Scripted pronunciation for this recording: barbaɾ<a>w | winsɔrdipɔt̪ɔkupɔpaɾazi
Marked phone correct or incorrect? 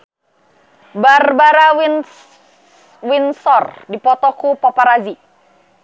correct